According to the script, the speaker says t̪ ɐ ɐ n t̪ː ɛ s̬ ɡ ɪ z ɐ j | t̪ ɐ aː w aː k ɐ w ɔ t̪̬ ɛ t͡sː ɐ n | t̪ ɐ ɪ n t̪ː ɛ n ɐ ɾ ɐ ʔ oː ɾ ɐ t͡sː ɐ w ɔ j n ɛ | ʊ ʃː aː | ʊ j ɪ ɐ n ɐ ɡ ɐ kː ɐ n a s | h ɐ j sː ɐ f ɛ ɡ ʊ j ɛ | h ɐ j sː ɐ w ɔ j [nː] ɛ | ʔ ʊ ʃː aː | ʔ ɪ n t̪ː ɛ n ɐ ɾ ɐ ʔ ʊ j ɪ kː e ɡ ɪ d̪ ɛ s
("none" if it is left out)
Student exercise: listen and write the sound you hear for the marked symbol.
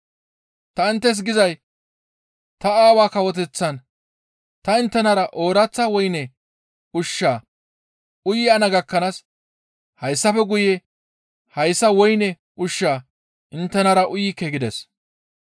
n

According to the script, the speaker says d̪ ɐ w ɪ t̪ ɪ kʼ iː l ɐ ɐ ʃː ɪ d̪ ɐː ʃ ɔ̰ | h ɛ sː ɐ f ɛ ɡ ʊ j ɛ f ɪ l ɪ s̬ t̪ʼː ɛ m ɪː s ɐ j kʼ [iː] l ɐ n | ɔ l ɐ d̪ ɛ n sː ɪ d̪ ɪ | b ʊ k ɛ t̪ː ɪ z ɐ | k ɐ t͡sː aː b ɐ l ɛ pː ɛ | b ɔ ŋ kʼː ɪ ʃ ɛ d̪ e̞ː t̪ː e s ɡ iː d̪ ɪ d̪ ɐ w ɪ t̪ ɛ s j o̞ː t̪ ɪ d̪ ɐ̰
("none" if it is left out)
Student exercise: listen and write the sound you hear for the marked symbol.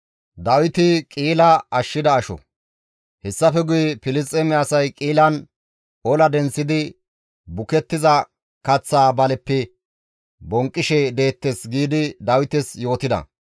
iː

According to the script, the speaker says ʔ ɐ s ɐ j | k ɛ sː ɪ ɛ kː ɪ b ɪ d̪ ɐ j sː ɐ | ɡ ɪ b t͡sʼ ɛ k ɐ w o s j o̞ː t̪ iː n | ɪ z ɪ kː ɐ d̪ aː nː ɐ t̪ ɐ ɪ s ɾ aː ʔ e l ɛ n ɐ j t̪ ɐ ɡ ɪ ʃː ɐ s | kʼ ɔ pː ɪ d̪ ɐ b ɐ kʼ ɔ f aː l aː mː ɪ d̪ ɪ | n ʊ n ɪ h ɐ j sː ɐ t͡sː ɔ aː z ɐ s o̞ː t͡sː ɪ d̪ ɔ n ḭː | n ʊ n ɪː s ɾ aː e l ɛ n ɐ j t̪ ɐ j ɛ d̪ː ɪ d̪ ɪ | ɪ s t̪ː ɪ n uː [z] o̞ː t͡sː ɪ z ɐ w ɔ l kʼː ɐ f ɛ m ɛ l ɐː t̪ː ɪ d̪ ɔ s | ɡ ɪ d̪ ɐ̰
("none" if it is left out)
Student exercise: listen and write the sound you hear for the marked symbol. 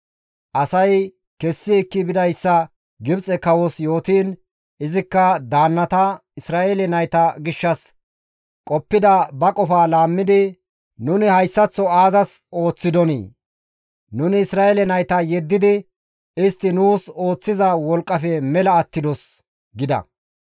s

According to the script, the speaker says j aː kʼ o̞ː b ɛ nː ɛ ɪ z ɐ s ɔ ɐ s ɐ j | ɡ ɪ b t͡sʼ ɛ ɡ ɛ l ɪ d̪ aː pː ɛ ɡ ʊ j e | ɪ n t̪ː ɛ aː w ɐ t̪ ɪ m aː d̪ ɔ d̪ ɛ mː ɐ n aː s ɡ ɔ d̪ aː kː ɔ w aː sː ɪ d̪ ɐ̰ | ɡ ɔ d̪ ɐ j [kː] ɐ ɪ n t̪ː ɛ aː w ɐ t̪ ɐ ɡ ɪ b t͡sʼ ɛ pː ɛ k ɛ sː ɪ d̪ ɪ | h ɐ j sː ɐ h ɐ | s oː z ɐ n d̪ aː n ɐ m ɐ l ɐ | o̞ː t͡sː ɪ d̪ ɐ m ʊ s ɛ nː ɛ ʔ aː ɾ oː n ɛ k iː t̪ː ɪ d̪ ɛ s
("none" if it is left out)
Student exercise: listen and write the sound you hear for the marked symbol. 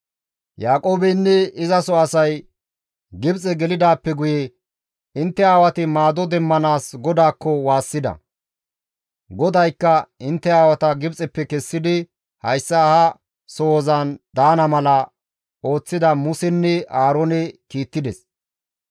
kː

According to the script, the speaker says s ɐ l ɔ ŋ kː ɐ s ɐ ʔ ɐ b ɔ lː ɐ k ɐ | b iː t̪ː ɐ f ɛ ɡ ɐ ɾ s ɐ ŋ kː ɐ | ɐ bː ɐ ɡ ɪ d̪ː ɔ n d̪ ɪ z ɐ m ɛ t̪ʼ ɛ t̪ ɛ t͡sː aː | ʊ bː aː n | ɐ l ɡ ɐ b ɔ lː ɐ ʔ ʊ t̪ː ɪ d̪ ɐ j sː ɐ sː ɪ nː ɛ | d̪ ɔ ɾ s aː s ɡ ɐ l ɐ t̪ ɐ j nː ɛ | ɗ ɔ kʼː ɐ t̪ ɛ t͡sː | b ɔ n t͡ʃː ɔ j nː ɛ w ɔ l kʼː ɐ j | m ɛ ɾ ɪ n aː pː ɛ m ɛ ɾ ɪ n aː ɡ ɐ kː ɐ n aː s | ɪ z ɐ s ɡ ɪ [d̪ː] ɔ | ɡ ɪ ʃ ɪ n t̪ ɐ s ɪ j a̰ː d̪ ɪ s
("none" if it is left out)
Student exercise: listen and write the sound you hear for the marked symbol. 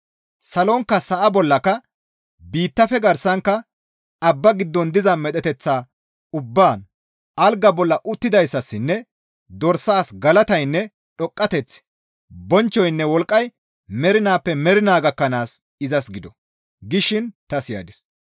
d̪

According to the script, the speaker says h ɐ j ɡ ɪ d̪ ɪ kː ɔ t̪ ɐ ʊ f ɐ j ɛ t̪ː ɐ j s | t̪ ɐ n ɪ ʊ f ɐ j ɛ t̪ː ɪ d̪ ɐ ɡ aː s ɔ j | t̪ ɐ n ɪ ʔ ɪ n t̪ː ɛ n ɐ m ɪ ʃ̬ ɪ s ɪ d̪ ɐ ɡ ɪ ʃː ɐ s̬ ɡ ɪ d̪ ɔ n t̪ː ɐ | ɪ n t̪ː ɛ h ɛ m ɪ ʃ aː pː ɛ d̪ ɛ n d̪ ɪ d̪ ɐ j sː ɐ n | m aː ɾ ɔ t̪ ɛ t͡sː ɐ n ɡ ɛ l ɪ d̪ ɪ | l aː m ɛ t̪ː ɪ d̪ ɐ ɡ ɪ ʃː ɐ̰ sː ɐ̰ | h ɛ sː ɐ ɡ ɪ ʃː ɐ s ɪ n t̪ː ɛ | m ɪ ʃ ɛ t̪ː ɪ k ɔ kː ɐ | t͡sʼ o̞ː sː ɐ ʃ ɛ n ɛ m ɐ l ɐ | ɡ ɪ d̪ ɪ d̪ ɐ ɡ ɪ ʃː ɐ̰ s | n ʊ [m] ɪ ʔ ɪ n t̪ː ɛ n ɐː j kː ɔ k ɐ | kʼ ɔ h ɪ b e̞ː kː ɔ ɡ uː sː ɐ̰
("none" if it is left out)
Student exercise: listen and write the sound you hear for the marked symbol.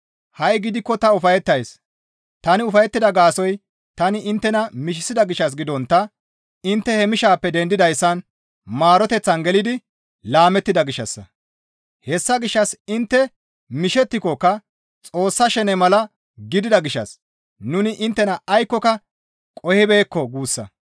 n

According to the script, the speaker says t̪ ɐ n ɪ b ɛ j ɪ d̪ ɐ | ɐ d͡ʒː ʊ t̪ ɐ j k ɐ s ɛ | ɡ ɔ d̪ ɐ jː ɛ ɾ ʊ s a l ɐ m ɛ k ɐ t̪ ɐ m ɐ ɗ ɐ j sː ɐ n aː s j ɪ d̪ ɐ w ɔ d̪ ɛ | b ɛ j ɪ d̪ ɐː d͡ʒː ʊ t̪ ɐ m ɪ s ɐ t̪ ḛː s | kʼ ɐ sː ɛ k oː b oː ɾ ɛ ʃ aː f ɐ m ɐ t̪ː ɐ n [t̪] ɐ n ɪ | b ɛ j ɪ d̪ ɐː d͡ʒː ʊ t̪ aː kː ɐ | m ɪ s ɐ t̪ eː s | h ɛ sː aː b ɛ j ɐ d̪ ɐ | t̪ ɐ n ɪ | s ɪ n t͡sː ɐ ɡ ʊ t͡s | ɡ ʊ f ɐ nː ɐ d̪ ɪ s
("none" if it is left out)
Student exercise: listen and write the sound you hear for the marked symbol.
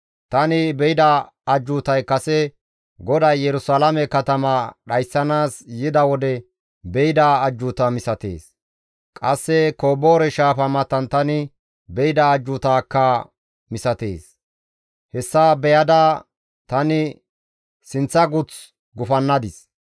t̪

